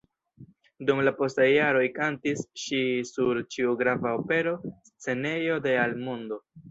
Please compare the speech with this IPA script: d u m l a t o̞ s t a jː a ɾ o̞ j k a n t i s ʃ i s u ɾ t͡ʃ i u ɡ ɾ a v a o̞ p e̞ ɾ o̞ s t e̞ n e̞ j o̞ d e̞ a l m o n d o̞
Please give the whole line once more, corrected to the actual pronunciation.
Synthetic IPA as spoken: d u m l a p o̞ s t a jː a ɾ o̞ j k a n t i s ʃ i s u ɾ t͡ʃ i u ɡ ɾ a v a o̞ p e̞ ɾ o̞ s t͡s e̞ n e̞ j o̞ d e̞ a l m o n d o̞